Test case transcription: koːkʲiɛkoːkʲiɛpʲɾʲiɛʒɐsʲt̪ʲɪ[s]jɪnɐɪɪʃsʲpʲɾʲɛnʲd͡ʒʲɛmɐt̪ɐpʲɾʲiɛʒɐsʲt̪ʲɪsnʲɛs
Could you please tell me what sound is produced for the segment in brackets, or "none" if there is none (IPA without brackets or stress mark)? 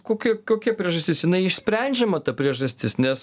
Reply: s